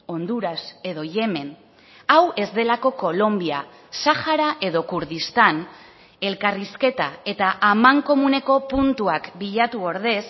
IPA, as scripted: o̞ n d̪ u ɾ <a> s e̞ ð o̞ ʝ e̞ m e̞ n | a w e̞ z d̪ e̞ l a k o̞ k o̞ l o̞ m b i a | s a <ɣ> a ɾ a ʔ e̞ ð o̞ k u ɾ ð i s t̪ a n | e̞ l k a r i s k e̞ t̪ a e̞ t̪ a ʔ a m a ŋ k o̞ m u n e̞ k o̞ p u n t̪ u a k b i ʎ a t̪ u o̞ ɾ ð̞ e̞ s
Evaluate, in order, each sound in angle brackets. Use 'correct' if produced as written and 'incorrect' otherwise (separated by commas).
correct, incorrect